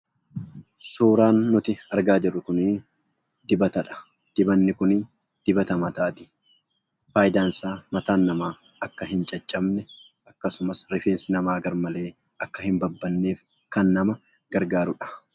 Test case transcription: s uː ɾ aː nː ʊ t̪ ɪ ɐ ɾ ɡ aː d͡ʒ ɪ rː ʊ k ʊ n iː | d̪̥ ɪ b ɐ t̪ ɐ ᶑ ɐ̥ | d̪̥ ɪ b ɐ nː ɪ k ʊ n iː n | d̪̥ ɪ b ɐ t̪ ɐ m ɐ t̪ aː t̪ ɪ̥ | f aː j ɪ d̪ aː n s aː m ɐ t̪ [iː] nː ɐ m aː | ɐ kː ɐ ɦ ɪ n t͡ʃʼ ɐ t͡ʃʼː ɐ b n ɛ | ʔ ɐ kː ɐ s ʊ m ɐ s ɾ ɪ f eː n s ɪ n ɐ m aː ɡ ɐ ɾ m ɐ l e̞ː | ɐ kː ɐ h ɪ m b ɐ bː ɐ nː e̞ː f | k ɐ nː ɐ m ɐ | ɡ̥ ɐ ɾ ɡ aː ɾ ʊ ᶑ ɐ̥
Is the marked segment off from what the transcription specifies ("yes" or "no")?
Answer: yes